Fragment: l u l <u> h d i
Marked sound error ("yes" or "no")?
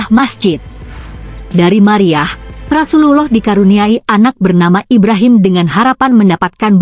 yes